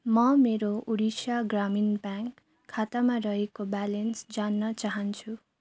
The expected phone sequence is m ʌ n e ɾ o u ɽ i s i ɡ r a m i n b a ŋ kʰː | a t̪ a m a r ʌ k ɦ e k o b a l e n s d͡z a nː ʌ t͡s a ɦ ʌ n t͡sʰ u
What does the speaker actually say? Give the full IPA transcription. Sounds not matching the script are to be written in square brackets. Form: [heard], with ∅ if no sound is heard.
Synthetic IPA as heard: m ʌ [m] e ɾ o u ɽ i s [a] ɡ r a m i n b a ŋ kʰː | a t̪ a m a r ʌ [∅] ɦ e k o b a l e n s d͡z a nː ʌ t͡s a ɦ ʌ n t͡sʰ u